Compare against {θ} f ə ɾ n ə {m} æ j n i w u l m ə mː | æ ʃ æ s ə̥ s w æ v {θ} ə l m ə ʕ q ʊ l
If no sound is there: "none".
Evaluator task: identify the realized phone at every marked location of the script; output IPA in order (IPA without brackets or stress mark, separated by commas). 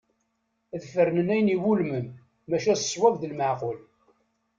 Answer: ð, n, ð